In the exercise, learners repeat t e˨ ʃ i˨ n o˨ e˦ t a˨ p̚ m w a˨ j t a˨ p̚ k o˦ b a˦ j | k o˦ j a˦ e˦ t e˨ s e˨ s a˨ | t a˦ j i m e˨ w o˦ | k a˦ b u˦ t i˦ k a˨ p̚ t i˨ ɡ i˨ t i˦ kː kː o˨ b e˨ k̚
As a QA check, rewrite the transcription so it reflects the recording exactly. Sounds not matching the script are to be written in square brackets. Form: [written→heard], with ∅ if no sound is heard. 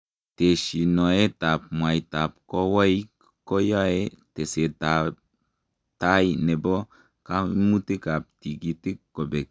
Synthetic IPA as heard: t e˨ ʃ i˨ n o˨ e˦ t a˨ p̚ m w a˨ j t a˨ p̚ k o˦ [b→w] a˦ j | k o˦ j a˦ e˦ t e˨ s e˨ [s→t] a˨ | t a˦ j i [m→n] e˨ [w→b] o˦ | k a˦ [b→m] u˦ t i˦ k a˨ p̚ t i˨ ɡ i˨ t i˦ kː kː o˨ b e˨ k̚